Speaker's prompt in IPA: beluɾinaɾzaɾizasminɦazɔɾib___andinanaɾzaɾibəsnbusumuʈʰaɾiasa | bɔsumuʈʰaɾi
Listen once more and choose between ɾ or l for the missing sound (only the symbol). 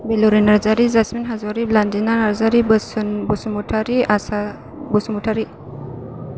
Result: l